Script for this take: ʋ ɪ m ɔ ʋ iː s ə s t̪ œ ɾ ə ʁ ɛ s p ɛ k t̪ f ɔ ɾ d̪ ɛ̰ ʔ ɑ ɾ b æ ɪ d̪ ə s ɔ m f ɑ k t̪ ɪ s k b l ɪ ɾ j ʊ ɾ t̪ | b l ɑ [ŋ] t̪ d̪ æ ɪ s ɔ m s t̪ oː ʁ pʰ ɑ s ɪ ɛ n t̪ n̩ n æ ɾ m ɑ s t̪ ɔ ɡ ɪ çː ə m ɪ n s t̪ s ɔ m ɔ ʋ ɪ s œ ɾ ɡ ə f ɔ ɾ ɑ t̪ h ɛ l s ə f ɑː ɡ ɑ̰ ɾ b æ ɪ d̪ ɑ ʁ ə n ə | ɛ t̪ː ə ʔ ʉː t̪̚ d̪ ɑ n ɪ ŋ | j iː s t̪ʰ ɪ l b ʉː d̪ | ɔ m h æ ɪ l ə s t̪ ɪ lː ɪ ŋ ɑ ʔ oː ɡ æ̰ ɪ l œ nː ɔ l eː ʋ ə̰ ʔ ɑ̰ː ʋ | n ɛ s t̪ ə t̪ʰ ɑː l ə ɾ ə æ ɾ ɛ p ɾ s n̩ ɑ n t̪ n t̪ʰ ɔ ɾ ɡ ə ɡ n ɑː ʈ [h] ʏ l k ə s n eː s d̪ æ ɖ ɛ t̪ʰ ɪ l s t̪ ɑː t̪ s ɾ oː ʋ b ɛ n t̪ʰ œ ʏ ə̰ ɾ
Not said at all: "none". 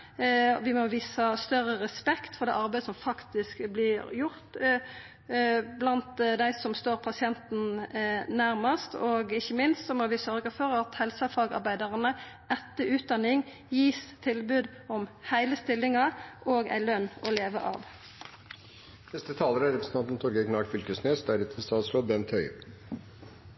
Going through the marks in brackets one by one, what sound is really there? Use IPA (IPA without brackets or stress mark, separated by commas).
n, f